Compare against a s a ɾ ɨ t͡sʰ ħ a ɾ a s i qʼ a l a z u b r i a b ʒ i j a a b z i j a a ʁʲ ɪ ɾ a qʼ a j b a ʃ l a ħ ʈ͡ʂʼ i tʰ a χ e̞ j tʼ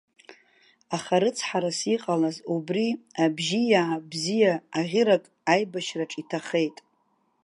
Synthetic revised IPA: a χ a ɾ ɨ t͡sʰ ħ a ɾ a s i qʼ a l a z u b r i a b ʒ i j a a b z i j a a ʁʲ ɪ ɾ a kʼ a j b a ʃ r a ʈ͡ʂʼ i tʰ a χ e̞ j tʼ